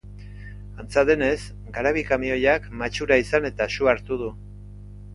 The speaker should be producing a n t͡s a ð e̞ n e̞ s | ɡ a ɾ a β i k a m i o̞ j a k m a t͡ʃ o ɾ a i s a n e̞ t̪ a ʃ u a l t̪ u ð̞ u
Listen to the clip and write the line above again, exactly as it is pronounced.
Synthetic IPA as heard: a n t͡s a ð e̞ n e̞ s | ɡ a ɾ a β i k a m i o̞ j a k m a t͡ʃ u ɾ a i s a n e̞ t̪ a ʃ u a ɾ t̪ u ð̞ u